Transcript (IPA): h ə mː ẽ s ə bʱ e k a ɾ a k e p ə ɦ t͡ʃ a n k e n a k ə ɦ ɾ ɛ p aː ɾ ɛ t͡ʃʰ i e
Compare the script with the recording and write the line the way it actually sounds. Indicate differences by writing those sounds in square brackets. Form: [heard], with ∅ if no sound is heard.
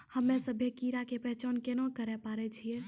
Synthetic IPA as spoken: h ə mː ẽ s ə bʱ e k [i] ɾ a k e p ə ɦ t͡ʃ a n k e n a k ə [∅] ɾ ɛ p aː ɾ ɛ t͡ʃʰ i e